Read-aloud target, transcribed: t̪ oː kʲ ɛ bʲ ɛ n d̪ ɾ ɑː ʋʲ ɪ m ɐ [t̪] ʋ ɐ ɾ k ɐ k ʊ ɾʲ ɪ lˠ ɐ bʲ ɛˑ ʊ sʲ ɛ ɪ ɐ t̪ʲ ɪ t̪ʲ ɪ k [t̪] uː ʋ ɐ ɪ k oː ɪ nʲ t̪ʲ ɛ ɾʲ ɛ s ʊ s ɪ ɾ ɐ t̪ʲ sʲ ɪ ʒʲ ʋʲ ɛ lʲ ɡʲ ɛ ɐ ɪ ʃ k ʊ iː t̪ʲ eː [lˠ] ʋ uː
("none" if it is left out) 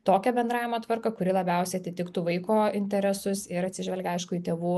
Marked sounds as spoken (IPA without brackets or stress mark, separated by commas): t̪, t̪, none